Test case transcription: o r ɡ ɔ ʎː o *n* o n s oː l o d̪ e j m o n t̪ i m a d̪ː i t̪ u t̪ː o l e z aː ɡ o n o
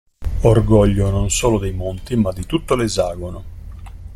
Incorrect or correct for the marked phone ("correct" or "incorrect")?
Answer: correct